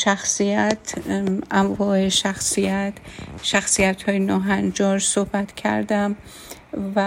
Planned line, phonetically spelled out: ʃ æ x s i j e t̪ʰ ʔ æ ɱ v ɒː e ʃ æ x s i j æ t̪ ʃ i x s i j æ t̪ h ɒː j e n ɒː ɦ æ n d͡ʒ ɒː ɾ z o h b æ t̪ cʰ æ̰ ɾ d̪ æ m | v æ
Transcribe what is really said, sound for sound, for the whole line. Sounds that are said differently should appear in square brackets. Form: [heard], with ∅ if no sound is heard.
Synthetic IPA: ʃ æ x s i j [æ] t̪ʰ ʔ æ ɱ v ɒː e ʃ æ x s i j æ t̪ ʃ [æ] x s i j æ t̪ h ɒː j e n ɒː ɦ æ n d͡ʒ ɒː ɾ [s] o h b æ t̪ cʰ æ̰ ɾ d̪ æ m | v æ